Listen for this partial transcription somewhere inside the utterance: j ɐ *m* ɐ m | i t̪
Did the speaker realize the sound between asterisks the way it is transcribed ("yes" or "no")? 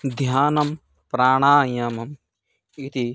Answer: yes